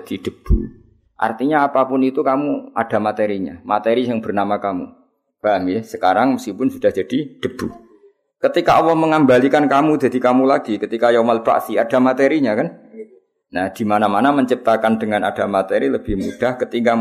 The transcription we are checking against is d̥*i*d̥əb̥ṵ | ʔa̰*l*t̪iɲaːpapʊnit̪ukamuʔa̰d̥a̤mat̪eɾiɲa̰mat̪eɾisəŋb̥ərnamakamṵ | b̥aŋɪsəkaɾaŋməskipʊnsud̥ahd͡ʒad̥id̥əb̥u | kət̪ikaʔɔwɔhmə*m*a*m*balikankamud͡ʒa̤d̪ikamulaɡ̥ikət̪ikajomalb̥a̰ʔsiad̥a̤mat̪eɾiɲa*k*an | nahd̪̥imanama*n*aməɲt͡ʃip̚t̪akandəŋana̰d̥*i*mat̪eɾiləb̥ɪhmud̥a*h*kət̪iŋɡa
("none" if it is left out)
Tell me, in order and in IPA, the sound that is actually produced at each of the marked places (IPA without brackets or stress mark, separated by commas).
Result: i, r, ŋ, m, k, n, a, h